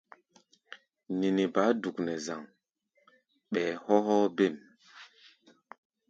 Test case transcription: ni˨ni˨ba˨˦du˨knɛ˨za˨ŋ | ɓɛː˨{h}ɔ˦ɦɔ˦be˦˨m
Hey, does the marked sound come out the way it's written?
yes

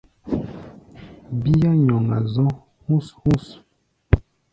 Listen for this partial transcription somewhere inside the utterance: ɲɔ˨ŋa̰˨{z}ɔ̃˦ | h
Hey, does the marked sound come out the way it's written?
yes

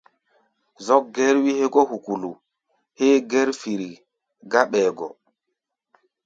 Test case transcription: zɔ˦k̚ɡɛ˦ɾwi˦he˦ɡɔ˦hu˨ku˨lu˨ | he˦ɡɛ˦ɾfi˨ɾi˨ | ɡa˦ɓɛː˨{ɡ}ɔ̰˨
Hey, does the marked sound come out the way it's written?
yes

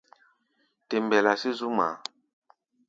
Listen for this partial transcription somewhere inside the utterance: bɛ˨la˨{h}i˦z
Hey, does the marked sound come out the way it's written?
no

